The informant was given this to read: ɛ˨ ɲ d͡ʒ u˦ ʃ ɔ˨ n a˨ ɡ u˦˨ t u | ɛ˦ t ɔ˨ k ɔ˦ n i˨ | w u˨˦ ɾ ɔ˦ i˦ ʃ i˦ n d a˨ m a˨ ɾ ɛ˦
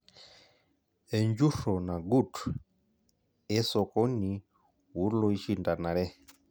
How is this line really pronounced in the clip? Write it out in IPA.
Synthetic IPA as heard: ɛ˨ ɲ d͡ʒ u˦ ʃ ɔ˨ n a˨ ɡ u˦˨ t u | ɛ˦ s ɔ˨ k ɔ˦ n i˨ | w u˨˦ l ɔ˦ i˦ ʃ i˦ n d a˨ n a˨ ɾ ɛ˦